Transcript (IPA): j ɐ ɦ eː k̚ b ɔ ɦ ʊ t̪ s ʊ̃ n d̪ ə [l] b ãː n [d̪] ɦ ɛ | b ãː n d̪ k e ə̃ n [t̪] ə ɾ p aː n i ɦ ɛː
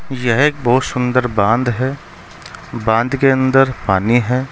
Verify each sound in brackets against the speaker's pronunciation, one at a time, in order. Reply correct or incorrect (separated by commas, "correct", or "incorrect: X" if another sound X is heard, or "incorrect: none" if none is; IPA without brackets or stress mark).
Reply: incorrect: ɾ, correct, incorrect: d̪